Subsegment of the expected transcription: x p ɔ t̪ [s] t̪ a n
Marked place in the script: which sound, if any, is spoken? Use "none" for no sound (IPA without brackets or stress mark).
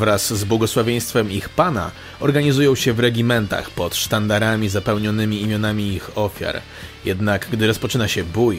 ʂ